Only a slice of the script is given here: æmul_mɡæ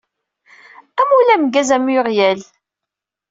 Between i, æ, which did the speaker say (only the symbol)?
æ